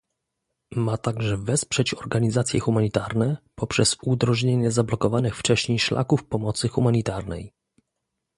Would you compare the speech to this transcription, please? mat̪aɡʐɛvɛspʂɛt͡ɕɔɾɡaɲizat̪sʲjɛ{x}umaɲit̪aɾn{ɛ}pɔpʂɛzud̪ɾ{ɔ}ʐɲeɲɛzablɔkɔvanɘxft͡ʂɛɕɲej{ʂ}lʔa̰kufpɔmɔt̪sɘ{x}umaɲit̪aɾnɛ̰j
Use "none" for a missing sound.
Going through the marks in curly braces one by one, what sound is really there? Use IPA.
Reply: x, ɛ, ɔ, ʂ, x

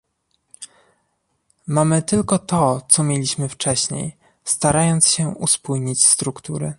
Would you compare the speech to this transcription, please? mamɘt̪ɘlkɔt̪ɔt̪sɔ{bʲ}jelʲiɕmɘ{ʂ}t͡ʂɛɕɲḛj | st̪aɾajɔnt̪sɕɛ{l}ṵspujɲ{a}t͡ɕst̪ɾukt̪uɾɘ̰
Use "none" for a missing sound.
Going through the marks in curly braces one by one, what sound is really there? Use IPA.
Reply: mʲ, f, none, i

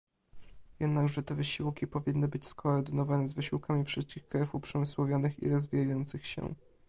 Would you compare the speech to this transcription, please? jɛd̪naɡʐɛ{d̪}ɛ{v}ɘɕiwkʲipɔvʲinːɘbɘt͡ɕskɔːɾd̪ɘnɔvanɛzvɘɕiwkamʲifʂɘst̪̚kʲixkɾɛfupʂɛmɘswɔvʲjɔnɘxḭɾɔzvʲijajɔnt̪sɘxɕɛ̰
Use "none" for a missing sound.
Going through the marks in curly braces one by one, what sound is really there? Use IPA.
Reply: t̪, v

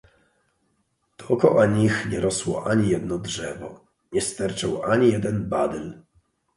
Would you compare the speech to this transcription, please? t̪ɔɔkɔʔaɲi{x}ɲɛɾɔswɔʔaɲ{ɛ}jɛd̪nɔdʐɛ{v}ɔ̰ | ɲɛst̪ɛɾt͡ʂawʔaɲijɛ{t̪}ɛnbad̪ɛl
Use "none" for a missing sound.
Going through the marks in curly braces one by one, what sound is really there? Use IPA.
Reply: x, i, v, d̪

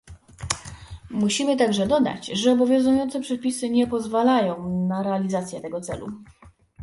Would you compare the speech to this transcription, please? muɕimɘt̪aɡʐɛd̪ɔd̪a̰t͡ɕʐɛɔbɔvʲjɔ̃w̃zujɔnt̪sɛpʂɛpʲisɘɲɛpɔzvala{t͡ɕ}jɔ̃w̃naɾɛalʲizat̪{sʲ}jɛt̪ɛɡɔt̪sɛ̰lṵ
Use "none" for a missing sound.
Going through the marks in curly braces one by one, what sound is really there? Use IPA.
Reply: none, sʲ

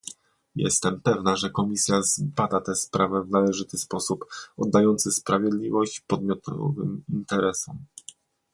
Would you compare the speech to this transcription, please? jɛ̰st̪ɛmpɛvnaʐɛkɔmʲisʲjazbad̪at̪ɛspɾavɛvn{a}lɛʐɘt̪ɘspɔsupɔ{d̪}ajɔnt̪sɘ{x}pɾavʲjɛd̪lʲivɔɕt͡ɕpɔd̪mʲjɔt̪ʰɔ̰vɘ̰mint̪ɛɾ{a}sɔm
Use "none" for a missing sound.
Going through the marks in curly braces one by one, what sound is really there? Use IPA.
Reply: a, d̪ː, s, ɛ

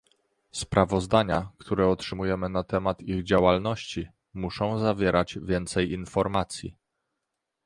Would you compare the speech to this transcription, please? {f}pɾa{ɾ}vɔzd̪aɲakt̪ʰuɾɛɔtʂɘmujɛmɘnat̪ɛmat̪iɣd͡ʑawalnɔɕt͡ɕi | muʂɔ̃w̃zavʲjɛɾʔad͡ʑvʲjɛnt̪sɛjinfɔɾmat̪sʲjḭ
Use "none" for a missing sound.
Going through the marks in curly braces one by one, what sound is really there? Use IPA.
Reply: s, none

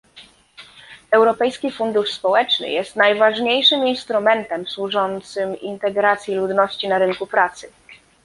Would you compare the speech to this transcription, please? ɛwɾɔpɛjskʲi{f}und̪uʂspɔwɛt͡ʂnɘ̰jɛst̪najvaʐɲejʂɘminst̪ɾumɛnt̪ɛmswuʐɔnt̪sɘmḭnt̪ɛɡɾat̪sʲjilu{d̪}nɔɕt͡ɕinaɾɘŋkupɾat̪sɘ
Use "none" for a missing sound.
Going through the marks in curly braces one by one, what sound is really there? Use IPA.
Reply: f, d̪

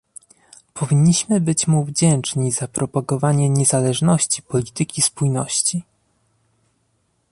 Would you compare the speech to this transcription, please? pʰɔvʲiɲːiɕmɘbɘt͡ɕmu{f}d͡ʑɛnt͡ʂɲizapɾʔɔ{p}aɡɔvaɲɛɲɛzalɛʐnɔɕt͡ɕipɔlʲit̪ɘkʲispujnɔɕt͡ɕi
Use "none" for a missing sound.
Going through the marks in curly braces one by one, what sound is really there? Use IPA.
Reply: v, p

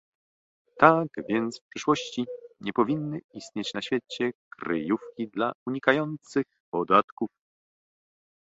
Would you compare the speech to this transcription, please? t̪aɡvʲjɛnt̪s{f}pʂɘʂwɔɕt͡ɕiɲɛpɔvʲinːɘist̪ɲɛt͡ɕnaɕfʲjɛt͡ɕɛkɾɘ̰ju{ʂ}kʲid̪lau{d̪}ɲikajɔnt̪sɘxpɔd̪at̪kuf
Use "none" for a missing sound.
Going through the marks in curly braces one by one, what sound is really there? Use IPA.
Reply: f, f, none

